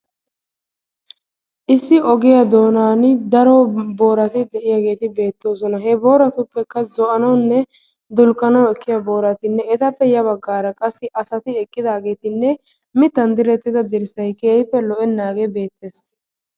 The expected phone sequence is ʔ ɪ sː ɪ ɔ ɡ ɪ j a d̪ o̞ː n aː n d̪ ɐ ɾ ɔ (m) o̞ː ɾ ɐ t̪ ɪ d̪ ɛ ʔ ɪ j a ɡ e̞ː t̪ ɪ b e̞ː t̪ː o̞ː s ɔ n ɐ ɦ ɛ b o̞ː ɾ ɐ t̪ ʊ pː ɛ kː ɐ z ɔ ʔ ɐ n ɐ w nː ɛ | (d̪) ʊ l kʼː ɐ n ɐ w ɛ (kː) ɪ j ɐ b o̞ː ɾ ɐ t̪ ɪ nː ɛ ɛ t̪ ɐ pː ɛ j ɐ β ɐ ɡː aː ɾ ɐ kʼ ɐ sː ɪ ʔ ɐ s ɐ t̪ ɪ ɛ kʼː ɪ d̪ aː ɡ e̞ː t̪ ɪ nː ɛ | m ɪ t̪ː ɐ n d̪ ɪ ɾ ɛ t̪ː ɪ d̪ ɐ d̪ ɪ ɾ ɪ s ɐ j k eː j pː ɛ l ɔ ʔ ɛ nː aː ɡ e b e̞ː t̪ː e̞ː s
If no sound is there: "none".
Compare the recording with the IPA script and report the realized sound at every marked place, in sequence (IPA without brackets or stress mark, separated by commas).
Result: b, d̪, kː